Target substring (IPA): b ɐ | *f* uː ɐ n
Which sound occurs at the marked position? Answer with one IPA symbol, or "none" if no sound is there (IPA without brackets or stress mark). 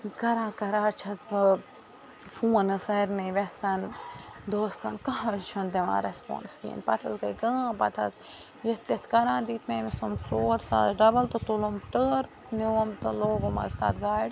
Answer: f